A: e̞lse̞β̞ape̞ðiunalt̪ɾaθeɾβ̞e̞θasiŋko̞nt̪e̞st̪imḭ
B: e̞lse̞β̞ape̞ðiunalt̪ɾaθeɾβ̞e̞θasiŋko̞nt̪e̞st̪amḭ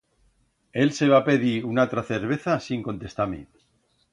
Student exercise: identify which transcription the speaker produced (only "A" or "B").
B